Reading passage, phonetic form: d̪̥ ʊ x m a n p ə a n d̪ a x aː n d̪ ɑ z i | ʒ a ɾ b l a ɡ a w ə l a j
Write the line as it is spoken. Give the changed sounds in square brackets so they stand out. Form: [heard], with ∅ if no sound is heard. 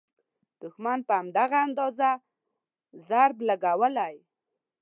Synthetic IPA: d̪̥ ʊ x m a n p ə a [m] d̪ a [ɣ] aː n d̪ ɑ z [a] | [z] a ɾ b l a ɡ a w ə l a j